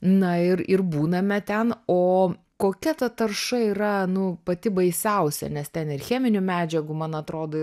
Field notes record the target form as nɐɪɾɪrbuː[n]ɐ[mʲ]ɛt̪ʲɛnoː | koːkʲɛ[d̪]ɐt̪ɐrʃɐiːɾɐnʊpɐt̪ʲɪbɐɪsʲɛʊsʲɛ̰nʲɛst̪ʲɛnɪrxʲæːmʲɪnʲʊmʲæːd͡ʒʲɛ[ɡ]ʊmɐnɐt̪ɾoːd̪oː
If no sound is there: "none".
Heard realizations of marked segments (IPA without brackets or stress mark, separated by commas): n, mʲ, t̪, ɡ